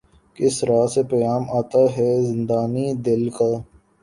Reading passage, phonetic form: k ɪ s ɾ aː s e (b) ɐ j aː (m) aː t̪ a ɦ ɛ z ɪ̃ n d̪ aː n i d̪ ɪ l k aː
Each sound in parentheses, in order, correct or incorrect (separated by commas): incorrect, correct